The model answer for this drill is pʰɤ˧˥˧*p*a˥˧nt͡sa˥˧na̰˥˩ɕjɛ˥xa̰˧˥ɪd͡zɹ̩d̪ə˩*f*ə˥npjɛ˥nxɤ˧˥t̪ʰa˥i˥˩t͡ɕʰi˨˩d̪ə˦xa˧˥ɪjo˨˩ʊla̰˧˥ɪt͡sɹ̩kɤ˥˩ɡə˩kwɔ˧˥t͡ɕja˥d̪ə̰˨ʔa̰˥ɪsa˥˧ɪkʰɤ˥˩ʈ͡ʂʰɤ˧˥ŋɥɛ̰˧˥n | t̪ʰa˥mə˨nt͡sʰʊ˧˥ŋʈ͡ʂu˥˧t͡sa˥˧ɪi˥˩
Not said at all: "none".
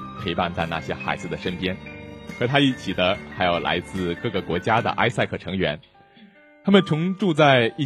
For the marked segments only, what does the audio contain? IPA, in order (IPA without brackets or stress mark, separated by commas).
p, ʂ